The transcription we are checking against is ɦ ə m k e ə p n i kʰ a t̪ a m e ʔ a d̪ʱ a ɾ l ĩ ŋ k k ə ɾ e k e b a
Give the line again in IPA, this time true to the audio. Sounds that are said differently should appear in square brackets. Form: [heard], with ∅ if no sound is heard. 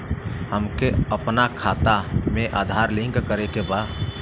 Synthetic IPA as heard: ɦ ə m k e ə p n [a] kʰ a t̪ a m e ʔ a d̪ʱ a ɾ l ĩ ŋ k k ə ɾ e k e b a